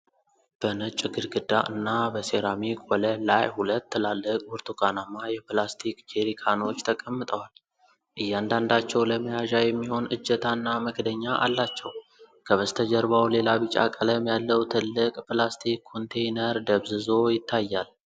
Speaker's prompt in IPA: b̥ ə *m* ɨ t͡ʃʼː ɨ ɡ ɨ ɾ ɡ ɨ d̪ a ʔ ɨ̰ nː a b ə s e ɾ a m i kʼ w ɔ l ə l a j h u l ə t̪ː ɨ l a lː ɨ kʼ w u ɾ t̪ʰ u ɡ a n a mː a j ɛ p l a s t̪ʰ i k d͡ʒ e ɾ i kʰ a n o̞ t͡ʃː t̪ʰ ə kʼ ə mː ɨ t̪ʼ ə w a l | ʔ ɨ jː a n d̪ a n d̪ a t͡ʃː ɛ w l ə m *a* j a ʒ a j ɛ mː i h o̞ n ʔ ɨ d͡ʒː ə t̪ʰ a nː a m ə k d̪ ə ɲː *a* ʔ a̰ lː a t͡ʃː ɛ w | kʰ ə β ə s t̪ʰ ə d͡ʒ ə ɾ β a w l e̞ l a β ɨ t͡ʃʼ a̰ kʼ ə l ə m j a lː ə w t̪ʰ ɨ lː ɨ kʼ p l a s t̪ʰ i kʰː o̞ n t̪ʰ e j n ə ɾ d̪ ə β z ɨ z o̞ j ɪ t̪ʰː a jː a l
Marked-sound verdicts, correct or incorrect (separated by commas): incorrect, incorrect, correct